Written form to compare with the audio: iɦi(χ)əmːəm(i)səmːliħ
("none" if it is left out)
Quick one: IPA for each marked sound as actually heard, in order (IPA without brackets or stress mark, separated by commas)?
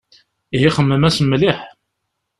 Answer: χ, æ